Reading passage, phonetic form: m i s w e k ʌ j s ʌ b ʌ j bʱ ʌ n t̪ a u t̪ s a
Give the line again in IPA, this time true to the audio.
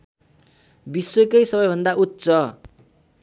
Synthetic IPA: b i s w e k ʌ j s ʌ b ʌ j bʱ ʌ n d̪ a u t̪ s ʌ